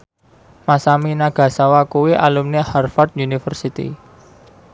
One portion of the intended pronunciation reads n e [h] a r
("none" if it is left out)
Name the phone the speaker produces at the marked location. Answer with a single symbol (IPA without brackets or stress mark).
h